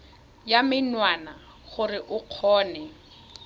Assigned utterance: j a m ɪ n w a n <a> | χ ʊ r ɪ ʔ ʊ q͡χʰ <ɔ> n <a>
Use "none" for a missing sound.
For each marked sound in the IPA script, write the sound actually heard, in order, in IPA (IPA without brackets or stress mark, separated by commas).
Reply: a, ɔː, ɛ